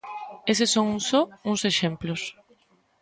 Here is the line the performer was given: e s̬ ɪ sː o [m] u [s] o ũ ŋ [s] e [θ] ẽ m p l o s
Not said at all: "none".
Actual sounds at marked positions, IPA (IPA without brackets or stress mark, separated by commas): ŋ, s, s, ʃ